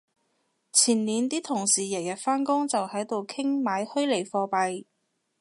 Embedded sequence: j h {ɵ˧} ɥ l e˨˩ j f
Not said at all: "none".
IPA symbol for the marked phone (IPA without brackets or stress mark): ɵ˥